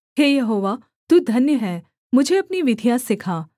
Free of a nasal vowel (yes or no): yes